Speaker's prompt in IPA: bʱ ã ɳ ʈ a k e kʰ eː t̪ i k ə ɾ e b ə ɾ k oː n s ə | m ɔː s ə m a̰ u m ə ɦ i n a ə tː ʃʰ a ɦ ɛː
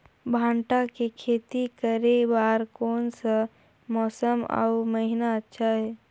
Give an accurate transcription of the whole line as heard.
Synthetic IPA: bʱ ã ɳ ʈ a k e kʰ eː t̪ i k ə ɾ e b a ɾ k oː n s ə | m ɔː s ə m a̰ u m ə ɦ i n a ə tː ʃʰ a ɦ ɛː